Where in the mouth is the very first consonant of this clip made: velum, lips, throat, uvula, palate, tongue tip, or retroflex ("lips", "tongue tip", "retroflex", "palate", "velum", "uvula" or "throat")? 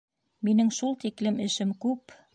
lips